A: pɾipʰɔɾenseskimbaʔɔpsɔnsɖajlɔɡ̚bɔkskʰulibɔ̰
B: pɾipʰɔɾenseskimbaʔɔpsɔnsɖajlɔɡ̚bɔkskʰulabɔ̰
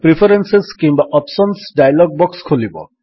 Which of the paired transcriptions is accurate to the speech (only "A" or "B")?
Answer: A